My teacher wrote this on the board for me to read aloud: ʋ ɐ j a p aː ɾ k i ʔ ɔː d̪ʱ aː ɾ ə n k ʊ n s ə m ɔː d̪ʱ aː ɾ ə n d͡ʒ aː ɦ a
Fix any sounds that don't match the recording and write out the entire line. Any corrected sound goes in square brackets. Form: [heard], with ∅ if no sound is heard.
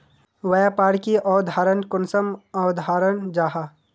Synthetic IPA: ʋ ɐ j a p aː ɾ k i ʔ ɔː d̪ʱ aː ɾ ə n k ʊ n s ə m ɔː d̪ʱ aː ɾ ə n d͡ʒ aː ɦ a